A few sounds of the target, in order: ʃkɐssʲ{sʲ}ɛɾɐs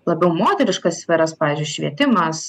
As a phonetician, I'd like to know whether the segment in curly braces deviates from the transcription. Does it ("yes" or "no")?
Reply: yes